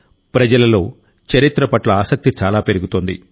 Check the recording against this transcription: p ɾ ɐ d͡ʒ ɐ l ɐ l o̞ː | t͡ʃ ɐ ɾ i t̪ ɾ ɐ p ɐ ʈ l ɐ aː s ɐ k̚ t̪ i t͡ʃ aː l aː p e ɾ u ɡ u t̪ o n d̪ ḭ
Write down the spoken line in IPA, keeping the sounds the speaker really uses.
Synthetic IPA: p ɾ ɐ d͡ʒ ɐ l ɐ l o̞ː | t͡ʃ ɐ ɾ i t̪ ɾ ɐ p ɐ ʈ l ɐ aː s ɐ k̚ t̪ i t͡ʃ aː l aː p e ɾ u ɡ u t̪ o n d̪ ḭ

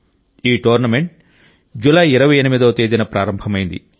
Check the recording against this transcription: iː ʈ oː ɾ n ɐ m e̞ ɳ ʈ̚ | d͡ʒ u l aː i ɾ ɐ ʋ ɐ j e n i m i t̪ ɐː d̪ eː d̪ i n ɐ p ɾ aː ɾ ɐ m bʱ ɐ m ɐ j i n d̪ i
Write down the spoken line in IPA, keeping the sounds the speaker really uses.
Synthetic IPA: iː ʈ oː ɾ n ɐ m e̞ ɳ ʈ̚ | d͡ʒ u l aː i ɾ ɐ ʋ ɐ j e n i m i d̪ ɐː t̪ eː d̪ i n ɐ p ɾ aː ɾ ɐ m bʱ ɐ m ɐ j i n d̪ i

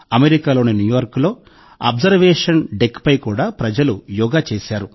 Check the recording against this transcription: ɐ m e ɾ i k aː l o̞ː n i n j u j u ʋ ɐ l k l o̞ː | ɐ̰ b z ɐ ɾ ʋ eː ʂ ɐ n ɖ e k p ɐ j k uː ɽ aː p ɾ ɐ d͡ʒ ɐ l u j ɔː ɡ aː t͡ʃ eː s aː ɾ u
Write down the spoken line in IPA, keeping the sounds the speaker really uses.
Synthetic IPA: ɐ m e ɾ i k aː l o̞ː n i n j u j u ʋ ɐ ɾ k l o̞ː | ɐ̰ b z ɐ ɾ ʋ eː ʂ ɐ n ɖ e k p ɐ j k uː ɽ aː p ɾ ɐ d͡ʒ ɐ l u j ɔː ɡ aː t͡ʃ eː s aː ɾ u

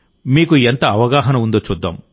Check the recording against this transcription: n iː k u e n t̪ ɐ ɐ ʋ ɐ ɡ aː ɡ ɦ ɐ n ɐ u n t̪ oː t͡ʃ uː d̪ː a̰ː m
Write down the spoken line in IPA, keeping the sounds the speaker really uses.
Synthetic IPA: m iː k u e n t̪ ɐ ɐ ʋ ɐ ɡ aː ɦ ɐ n ɐ u n d̪ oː t͡ʃ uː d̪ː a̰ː m

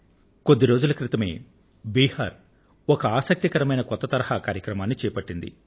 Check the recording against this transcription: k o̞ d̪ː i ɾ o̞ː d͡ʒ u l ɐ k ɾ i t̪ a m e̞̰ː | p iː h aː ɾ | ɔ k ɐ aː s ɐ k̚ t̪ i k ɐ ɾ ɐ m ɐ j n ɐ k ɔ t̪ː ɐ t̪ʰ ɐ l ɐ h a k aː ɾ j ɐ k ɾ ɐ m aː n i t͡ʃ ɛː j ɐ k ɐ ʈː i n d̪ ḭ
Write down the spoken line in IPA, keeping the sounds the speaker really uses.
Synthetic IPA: k o̞ d̪ː i ɾ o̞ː d͡ʒ u l ɐ k ɾ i t̪ ɐ m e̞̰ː | b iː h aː ɾ | ɔ k ɐ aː s ɐ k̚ t̪ i k ɐ ɾ ɐ m ɐ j n ɐ k ɔ t̪ː ɐ t̪ ɐ ɾ ɐ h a k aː ɾ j ɐ k ɾ ɐ m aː nː i t͡ʃ ɛː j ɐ p ɐ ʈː i n d̪ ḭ

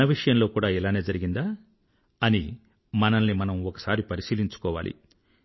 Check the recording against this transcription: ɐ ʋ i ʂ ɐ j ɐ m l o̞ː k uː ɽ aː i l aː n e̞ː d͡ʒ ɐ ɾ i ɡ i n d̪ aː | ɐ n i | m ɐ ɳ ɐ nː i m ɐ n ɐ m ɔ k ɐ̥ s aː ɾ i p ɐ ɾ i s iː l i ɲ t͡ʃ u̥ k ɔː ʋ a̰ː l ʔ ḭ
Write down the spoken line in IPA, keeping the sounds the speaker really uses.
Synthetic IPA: ɐ ʋ i ʂ ɐ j ɐ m l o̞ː k uː ɽ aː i l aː n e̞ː d͡ʒ ɐ ɾ i ɡ i n d̪ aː | ɐ n i | m ɐ n ɐ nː i m ɐ n ɐ m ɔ k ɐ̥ s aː ɾ i p ɐ ɾ i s iː l i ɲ t͡ʃ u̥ k ɔː ʋ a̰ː l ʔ ḭ

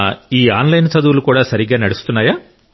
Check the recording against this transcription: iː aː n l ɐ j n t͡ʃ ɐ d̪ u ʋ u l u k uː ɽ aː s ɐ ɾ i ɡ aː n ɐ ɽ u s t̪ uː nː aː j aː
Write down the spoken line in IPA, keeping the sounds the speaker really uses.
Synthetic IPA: iː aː n l ɐ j n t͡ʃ ɐ d̪ u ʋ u l u k uː ɽ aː s ɐ ɾ i ɡ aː n ɐ ɽ u s t̪ u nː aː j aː

